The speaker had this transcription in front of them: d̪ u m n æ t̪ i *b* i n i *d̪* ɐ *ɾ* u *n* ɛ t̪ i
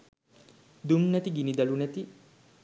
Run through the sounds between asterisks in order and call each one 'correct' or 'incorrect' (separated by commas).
incorrect, correct, incorrect, correct